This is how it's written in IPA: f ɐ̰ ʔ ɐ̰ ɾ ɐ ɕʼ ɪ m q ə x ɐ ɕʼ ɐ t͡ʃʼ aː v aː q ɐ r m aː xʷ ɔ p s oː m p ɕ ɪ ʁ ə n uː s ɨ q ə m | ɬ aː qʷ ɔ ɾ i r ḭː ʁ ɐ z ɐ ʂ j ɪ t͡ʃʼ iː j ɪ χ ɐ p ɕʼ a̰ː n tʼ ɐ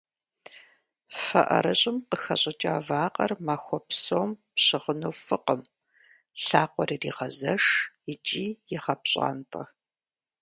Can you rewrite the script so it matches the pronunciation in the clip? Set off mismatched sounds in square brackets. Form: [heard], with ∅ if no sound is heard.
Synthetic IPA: f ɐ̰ ʔ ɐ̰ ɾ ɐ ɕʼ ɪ m q ə x ɐ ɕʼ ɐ t͡ʃʼ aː v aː q ɐ r m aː xʷ ɔ p s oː m p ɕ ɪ ʁ ə n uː [f] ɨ q ə m | ɬ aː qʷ ɔ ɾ i r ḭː ʁ ɐ z ɐ ʂ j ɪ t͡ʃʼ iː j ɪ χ ɐ p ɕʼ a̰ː n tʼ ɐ